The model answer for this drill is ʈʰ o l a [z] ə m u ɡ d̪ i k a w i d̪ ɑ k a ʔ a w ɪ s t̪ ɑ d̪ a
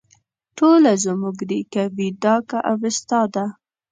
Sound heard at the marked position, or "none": z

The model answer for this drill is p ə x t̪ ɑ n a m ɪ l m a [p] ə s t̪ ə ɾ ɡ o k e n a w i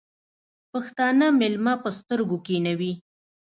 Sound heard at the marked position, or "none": p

